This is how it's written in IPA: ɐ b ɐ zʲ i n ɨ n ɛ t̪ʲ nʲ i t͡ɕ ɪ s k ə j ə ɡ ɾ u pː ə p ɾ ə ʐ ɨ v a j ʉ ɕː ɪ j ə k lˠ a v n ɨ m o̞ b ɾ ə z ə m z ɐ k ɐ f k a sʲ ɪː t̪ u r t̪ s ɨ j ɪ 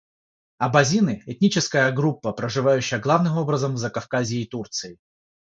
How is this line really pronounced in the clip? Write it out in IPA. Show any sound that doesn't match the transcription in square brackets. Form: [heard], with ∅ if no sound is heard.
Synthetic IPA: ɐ b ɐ zʲ i n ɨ [∅] ɛ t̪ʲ nʲ i t͡ɕ ɪ s k ə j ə ɡ ɾ u pː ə p ɾ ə ʐ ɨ v a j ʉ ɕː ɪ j ə [ɡ] lˠ a v n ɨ m o̞ b ɾ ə z ə m z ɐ k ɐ f k a [zʲ] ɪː t̪ u r t̪ s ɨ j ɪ